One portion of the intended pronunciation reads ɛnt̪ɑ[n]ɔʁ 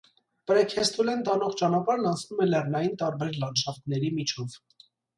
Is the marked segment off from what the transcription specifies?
no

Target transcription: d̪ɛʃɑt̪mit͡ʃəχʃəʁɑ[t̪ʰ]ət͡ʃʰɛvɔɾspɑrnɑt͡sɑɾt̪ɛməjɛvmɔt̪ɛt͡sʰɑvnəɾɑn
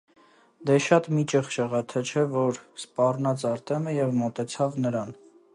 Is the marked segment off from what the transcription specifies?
no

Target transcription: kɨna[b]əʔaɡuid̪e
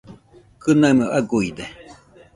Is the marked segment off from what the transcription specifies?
yes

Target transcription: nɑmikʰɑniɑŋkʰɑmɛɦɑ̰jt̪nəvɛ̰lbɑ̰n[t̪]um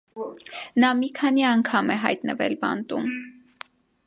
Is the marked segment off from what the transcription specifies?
no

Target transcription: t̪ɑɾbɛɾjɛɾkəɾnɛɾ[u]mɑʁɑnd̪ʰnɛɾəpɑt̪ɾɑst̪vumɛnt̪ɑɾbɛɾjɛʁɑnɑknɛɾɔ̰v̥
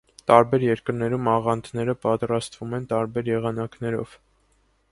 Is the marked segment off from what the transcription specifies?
no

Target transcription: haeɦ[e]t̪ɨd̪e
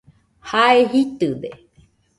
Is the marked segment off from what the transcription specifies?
yes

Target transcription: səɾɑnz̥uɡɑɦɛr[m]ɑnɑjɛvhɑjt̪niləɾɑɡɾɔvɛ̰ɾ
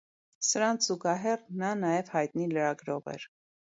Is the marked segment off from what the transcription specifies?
yes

